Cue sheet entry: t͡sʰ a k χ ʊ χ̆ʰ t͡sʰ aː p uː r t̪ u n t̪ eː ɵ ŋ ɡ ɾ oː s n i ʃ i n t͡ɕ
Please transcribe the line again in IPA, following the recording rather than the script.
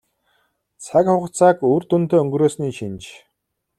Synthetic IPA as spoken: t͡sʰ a k χ ʊ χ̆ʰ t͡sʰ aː k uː r t̪ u n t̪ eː ɵ ŋ ɡ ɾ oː s n iː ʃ i n t͡ɕ